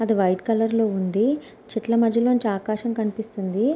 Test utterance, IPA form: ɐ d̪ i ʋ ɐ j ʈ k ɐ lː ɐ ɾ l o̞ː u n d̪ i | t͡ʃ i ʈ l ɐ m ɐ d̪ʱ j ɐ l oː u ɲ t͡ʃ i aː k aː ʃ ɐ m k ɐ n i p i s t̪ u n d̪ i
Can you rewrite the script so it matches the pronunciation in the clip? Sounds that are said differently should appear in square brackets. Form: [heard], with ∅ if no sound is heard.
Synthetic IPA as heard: ɐ d̪ i ʋ ɐ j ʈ k ɐ [l] ɐ ɾ l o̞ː u n d̪ i | t͡ʃ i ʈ l ɐ m ɐ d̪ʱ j ɐ l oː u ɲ t͡ʃ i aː k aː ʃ ɐ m k ɐ n i p i s t̪ u n d̪ i